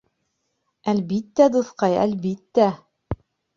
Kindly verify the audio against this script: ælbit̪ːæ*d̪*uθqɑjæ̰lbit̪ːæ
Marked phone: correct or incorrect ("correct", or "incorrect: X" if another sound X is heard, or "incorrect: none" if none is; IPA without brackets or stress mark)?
correct